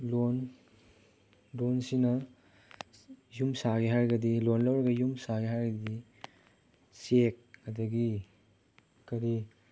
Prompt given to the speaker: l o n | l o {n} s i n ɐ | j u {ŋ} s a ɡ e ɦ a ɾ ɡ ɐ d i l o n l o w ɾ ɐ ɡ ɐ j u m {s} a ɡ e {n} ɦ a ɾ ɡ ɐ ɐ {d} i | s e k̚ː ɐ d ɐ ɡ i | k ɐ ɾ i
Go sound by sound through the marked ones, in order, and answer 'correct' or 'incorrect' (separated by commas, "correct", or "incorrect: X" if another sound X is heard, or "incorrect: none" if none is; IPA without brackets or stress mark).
correct, incorrect: m, correct, incorrect: none, correct